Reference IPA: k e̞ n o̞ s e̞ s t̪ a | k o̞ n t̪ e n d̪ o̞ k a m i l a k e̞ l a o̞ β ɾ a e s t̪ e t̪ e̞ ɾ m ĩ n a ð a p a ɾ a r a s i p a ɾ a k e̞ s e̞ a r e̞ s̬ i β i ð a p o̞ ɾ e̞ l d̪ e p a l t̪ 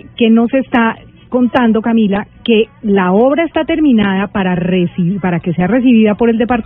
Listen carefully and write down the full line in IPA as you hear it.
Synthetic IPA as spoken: k e̞ n o̞ s e̞ s t̪ a | k o̞ n t̪ a n d̪ o̞ k a m i l a k e̞ l a o̞ β ɾ a e s t̪ a t̪ e̞ ɾ m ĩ n a ð a p a ɾ a r e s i p a ɾ a k e̞ s e̞ a r e̞ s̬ i β i ð a p o̞ ɾ e̞ l d̪ e p a ɾ t̪